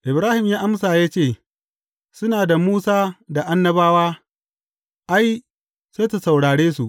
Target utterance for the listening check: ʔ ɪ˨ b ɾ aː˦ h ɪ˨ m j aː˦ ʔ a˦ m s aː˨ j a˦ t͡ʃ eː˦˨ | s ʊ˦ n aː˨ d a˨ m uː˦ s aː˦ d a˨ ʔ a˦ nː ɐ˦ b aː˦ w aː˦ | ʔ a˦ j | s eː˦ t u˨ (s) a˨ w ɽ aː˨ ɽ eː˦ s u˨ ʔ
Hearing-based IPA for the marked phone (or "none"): s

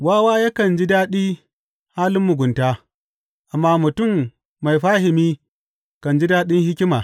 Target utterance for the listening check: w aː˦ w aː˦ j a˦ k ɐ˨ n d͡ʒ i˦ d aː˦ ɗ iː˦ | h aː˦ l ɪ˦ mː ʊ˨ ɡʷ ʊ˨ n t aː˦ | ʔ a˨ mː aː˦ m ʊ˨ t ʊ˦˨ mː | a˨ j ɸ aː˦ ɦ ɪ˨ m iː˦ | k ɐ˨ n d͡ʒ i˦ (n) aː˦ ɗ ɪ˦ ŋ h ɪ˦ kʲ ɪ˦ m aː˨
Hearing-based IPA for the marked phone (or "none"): d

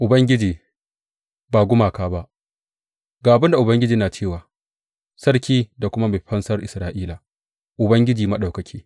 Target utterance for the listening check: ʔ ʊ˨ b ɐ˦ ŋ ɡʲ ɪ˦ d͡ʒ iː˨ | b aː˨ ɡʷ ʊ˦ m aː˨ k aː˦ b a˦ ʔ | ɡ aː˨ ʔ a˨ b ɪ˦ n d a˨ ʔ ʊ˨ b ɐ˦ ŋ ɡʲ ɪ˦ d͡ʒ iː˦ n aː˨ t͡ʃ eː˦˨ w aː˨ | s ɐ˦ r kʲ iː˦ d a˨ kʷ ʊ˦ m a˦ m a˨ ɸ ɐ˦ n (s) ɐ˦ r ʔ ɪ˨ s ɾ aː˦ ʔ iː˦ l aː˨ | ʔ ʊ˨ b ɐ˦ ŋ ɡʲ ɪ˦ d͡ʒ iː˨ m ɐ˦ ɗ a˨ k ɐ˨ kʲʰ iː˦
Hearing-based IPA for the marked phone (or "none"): s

